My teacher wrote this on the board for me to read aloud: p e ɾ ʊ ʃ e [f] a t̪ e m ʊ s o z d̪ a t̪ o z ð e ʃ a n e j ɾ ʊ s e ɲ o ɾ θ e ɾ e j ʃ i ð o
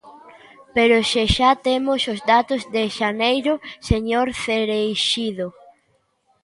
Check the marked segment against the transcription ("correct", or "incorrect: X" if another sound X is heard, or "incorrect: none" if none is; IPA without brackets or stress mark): incorrect: ʃ